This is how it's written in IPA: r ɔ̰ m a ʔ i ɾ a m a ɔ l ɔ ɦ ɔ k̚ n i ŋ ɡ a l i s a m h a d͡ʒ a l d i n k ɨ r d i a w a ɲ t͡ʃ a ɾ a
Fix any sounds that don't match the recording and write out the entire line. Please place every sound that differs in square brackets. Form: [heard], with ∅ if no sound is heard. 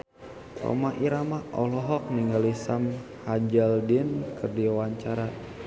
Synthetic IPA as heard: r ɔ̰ m a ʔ i ɾ a m a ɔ l ɔ ɦ ɔ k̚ n i ŋ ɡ a l i s a m h a d͡ʒ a l d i n k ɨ r d i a w a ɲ t͡ʃ a ɾ a

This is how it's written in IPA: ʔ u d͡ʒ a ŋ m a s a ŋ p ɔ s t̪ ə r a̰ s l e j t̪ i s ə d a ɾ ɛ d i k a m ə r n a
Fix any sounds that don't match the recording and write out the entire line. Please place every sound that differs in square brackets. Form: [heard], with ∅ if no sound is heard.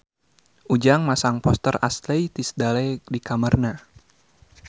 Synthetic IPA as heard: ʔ u d͡ʒ a ŋ m a s a ŋ p ɔ s t̪ ə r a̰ s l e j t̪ i s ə d a [l] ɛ d i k a m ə r n a

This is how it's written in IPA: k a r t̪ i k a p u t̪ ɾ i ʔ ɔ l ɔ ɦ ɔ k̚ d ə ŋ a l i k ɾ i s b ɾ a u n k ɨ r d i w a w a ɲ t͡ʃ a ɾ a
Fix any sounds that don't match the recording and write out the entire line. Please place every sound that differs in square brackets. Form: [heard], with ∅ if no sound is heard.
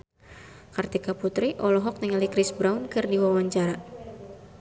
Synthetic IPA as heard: k a r t̪ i k a p u t̪ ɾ i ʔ ɔ l ɔ ɦ ɔ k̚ [n] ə ŋ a l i k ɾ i s b ɾ a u n k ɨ r d i w a w a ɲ t͡ʃ a ɾ a

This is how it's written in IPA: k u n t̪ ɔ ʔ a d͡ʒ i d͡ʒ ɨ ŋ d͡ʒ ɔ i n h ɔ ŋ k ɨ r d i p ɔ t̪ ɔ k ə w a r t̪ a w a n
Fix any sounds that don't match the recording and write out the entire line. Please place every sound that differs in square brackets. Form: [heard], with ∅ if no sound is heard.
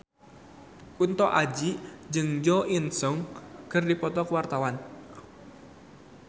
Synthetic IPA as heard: k u n t̪ ɔ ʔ a d͡ʒ i d͡ʒ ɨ ŋ d͡ʒ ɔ i n [s] ɔ ŋ k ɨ r d i p ɔ t̪ ɔ k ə w a r t̪ a w a n

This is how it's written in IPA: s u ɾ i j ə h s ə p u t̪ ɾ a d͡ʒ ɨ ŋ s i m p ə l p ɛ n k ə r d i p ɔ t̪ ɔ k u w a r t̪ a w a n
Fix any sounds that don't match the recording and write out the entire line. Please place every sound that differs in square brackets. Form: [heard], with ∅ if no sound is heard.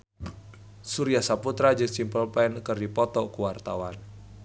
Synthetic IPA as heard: s u ɾ i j [a] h s [a] p u t̪ ɾ a d͡ʒ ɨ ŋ s i m p ə l p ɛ n k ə r d i p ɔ t̪ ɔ k u w a r t̪ a w a n

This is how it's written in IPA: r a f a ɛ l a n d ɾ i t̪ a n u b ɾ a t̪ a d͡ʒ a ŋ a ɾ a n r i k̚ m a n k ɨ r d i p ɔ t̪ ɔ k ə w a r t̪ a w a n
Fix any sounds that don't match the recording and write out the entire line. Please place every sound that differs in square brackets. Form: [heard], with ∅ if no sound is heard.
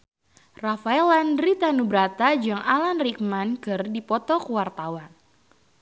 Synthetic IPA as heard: r a f a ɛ l a n d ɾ i t̪ a n u b ɾ a t̪ a d͡ʒ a ŋ a [l] a n r i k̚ m a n k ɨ r d i p ɔ t̪ ɔ k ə w a r t̪ a w a n

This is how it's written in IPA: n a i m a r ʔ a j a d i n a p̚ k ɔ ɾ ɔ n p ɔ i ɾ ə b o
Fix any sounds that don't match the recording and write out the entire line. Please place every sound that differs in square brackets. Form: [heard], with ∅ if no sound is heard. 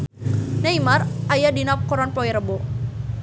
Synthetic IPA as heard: n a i m a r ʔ a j a d i n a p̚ k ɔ ɾ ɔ n p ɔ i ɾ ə b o

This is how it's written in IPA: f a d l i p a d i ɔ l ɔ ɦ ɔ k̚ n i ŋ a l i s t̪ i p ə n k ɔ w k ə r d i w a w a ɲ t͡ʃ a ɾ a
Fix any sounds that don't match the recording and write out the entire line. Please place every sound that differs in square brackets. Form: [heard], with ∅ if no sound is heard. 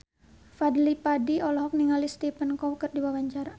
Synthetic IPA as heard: f a d l i p a d i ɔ l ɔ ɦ ɔ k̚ n i ŋ a l i s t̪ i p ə n k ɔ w k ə r d i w a w a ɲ t͡ʃ a ɾ a

